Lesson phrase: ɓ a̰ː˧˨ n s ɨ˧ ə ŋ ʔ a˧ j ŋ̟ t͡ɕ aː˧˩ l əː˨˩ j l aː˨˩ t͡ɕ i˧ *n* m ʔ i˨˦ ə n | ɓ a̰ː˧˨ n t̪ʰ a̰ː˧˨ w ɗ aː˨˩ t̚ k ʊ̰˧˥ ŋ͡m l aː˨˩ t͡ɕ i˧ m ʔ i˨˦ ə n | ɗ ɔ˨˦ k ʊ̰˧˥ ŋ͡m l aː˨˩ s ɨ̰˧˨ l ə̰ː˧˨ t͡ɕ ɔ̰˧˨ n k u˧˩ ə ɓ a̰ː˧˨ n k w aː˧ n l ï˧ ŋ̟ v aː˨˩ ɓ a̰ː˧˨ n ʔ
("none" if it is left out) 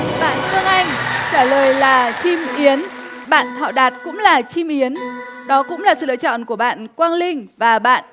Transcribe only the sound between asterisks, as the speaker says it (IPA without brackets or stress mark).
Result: none